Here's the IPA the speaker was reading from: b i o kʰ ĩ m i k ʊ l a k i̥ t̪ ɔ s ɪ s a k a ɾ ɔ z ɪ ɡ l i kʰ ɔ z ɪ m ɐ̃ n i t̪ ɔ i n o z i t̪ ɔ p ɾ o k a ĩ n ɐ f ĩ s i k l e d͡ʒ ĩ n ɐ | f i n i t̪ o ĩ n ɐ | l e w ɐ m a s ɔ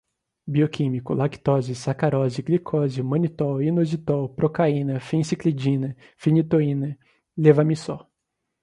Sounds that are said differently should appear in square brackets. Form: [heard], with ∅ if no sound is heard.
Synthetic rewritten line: b i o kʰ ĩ m i k ʊ l a k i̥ t̪ ɔ [z] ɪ s a k a ɾ ɔ z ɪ ɡ l i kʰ ɔ z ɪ m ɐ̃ n i t̪ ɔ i n o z i t̪ ɔ p ɾ o k a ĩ n ɐ f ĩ s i k l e d͡ʒ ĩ n ɐ | f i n i t̪ o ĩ n ɐ | l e [v] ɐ m [i] s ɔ

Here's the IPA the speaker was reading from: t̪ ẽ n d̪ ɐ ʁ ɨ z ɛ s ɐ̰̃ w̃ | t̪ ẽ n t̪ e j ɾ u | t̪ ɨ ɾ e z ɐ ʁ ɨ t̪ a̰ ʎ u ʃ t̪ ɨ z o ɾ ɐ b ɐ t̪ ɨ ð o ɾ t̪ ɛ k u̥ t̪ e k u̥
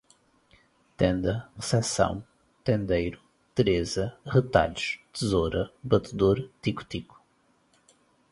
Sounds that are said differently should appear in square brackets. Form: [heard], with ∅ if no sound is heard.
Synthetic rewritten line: t̪ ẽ n d̪ ɐ ʁ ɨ [s] ɛ s ɐ̰̃ w̃ | t̪ ẽ n [d̪] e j ɾ u | t̪ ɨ ɾ e z ɐ ʁ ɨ t̪ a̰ ʎ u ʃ t̪ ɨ z o ɾ ɐ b ɐ t̪ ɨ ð o ɾ t̪ [i] k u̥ t̪ [i] k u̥

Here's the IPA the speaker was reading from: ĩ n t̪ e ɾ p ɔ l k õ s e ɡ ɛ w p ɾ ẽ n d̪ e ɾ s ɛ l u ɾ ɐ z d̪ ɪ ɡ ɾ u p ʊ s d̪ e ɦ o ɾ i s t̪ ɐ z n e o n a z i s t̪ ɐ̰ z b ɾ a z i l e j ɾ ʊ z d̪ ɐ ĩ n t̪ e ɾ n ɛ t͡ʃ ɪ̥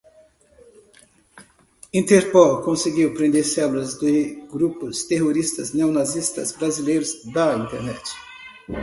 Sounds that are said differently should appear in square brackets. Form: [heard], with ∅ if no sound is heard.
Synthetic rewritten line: ĩ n t̪ e ɾ p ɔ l k õ s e ɡ [i] w p ɾ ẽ n d̪ e ɾ s ɛ l u [l] ɐ z d̪ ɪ ɡ ɾ u p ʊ s [t̪] e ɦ o ɾ i s t̪ ɐ z n e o n a z i s t̪ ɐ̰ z b ɾ a z i l e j ɾ ʊ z d̪ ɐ ĩ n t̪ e ɾ n ɛ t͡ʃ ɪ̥

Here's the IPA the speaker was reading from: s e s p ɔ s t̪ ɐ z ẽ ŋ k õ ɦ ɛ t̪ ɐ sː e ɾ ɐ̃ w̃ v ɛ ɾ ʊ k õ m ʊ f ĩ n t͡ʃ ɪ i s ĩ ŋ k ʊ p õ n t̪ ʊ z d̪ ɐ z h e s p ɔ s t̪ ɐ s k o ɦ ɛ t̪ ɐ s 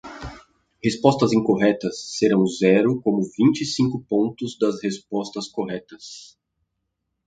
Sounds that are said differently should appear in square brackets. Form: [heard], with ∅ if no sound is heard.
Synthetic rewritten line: [h] e s p ɔ s t̪ ɐ z [ĩ] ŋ k [o] ɦ ɛ t̪ ɐ sː e ɾ ɐ̃ w̃ [z] ɛ ɾ ʊ k õ m ʊ [v] ĩ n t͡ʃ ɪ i s ĩ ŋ k ʊ p õ n t̪ ʊ z d̪ ɐ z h e s p ɔ s t̪ ɐ s k o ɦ ɛ t̪ ɐ s

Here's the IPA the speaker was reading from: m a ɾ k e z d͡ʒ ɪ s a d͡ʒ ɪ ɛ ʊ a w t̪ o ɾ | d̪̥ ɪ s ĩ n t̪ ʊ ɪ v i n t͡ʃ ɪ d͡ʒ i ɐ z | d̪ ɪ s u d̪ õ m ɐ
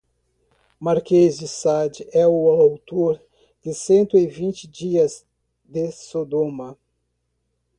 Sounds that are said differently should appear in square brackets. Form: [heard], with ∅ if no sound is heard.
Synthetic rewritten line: m a ɾ k e z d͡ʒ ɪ s a d͡ʒ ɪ ɛ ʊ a w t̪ o ɾ | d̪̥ ɪ s [ẽ] n t̪ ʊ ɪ v [ĩ] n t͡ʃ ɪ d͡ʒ i ɐ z | d̪ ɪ s [o] d̪ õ m ɐ

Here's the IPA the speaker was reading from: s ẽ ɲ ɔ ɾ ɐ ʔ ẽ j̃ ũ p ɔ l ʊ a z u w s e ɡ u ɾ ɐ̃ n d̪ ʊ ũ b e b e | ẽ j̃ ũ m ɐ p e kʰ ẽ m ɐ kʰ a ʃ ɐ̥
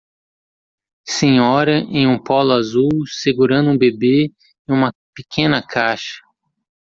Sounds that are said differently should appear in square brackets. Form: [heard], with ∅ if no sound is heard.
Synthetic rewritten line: s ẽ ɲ ɔ ɾ ɐ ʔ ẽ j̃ ũ p ɔ l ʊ a z u w s e ɡ u ɾ ɐ̃ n d̪ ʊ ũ b e b e | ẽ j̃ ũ m ɐ p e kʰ ẽ [n] ɐ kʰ a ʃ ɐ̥

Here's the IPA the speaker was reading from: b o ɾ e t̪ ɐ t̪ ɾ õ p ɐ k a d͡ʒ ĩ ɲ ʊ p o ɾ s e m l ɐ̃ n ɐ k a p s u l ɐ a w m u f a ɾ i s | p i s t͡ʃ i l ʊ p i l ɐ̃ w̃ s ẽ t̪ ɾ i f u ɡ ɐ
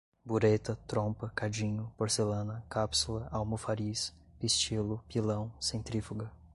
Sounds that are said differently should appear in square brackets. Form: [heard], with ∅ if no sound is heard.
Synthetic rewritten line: b [u] ɾ e t̪ ɐ t̪ ɾ õ p ɐ k a d͡ʒ ĩ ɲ ʊ p o ɾ s e [∅] l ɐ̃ n ɐ k a p s u l ɐ a w m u f a ɾ i s | p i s t͡ʃ i l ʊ p i l ɐ̃ w̃ s ẽ t̪ ɾ i f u ɡ ɐ

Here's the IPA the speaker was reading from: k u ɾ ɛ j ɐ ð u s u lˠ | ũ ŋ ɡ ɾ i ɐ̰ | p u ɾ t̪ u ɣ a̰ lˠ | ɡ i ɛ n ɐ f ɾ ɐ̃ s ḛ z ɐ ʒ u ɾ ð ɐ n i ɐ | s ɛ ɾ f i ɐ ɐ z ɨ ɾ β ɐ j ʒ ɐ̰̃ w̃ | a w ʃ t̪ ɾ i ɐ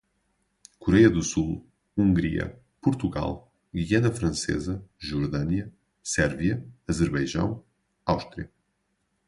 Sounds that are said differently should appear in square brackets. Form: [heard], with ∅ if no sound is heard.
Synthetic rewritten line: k u ɾ ɛ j ɐ ð u s u lˠ | ũ ŋ ɡ ɾ i ɐ̰ | p u ɾ t̪ u ɣ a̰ lˠ | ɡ i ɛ n ɐ f ɾ ɐ̃ s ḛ z ɐ ʒ u ɾ ð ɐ n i ɐ | s ɛ ɾ [v] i ɐ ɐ z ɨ ɾ β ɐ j ʒ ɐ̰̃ w̃ | a w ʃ t̪ ɾ i ɐ

